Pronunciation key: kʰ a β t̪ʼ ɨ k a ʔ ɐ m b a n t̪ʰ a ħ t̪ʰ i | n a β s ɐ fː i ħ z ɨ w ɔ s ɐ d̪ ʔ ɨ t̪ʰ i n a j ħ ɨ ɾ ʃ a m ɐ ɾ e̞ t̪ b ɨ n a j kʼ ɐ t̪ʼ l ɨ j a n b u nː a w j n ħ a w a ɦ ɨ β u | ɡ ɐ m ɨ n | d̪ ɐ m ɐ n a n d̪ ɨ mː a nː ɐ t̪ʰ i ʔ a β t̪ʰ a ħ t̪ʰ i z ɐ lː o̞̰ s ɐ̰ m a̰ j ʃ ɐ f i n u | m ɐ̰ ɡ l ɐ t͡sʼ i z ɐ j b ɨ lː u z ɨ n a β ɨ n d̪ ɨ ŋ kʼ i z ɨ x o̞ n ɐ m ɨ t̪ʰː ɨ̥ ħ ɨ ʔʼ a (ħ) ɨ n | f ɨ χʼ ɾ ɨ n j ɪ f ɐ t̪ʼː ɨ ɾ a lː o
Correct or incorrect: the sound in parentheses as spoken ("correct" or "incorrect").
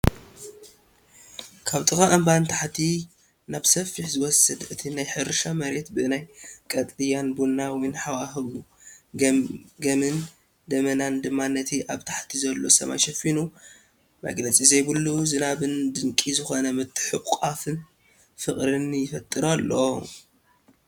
incorrect